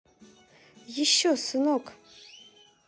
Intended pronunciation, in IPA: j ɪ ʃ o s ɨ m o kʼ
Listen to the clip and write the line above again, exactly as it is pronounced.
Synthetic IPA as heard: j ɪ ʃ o s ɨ n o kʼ

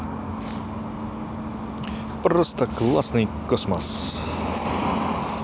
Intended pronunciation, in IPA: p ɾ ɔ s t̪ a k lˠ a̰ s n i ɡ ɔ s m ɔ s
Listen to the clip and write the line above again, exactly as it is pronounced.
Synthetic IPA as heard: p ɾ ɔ s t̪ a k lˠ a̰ s n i k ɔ s m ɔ s

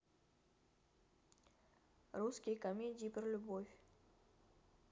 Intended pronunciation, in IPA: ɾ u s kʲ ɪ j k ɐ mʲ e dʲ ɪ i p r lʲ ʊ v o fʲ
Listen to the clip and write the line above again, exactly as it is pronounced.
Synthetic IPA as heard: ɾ u s kʲ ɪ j k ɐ mʲ e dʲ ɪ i p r lʲ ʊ b o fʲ

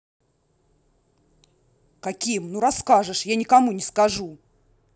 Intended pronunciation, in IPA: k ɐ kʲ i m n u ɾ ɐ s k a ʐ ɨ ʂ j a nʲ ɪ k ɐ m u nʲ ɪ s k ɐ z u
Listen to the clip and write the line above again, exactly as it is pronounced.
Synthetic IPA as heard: k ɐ kʲ i m n u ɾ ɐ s k a ʐ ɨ ʂ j a nʲ ɪ k ɐ m u nʲ ɪ s k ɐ ʐ u

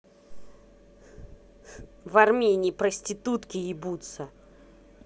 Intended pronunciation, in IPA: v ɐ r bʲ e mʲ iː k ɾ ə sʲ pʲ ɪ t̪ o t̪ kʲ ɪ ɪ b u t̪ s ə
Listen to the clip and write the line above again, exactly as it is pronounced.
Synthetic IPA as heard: v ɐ r mʲ e nʲ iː p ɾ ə sʲ tʲ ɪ t̪ u t̪ kʲ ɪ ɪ b u t̪ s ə

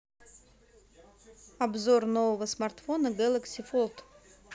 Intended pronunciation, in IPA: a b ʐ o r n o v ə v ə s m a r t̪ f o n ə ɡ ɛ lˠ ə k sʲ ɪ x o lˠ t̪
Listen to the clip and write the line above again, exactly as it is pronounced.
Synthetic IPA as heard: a b z o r n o v ə v ə s m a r t̪ f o n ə ɡ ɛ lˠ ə k sʲ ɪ f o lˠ t̪

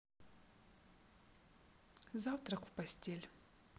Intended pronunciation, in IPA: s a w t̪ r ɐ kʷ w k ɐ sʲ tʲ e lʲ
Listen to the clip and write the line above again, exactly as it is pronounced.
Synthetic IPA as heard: z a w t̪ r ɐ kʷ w p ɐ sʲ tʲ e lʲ

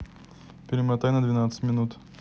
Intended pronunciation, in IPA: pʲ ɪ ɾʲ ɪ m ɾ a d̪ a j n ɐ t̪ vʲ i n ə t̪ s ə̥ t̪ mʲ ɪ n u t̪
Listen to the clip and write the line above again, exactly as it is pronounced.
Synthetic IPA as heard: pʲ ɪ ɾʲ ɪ m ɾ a t̪ a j n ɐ d̪ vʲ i n a t̪ s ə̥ t̪ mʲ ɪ n u t̪

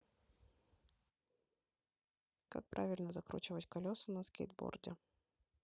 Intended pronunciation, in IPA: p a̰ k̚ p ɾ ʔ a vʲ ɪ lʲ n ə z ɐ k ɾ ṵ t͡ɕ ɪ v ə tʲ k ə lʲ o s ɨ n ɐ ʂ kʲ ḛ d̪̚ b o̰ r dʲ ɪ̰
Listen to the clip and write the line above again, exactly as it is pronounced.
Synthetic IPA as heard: k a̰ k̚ p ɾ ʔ a vʲ ɪ lʲ n ə z ɐ k ɾ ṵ t͡ɕ ɪ v ə tʲ k ɐ lʲ o s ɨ n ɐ s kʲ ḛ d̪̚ b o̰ r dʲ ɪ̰

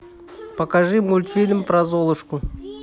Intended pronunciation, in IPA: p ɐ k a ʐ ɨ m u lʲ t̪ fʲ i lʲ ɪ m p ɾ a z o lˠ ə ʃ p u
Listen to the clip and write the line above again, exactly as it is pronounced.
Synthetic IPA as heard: p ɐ k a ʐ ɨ m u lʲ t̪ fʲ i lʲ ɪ m p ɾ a z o lˠ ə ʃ k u

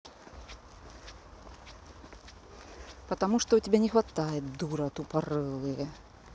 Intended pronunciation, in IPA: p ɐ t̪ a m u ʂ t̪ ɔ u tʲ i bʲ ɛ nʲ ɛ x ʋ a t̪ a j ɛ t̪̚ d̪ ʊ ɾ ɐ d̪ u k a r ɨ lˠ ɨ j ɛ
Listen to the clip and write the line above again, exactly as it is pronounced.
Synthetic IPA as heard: p ɐ t̪ a m u ʂ t̪ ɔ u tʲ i bʲ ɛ nʲ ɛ x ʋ a t̪ a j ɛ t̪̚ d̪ u ɾ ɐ t̪ u p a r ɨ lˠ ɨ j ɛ

